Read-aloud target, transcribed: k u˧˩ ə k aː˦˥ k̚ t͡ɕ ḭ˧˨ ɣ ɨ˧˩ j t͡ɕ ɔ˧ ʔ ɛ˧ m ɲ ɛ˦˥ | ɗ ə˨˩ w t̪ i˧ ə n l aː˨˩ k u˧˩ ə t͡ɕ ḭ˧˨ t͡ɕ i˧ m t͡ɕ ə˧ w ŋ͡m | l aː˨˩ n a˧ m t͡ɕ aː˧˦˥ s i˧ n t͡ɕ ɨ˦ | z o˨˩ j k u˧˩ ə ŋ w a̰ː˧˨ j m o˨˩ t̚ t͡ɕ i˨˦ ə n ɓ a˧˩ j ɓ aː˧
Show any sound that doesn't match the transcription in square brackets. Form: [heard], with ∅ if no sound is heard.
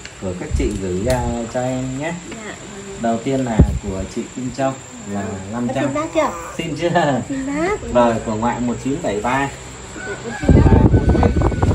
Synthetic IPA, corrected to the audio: k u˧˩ ə k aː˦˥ k̚ t͡ɕ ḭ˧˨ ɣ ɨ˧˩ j t͡ɕ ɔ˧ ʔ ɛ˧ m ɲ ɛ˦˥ | ɗ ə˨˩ w t̪ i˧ ə n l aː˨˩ k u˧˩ ə t͡ɕ ḭ˧˨ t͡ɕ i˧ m t͡ɕ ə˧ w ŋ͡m | l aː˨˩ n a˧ m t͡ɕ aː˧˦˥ s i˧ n t͡ɕ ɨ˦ | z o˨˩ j k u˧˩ ə ŋ w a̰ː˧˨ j m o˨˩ t̚ t͡ɕ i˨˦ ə n ɓ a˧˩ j ɓ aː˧